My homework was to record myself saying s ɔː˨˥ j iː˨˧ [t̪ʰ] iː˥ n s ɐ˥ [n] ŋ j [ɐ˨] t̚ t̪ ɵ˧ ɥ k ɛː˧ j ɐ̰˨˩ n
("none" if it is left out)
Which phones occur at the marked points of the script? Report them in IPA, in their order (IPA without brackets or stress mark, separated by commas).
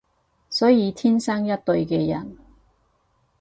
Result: t̪ʰ, none, ɐ˥